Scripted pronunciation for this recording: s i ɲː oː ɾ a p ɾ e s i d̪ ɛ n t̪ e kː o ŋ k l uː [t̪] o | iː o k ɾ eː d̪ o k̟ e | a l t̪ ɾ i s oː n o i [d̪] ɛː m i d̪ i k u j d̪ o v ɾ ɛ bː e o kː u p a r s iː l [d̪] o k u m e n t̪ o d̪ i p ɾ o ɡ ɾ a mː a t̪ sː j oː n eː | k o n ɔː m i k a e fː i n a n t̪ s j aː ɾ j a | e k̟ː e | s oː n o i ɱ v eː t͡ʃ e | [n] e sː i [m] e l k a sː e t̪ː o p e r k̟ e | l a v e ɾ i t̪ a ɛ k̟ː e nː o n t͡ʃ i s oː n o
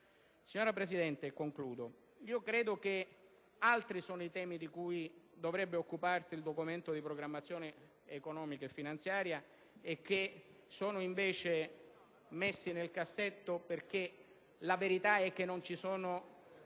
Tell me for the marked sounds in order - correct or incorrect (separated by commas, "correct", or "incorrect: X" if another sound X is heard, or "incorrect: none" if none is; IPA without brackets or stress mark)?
incorrect: d̪, incorrect: t̪, correct, incorrect: m, incorrect: n